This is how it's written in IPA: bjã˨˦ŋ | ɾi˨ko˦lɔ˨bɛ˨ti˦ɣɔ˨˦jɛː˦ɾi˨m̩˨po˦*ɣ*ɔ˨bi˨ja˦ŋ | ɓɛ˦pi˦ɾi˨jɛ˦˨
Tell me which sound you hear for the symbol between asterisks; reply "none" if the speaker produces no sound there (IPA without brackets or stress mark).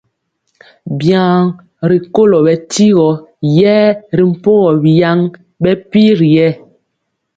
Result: ɣ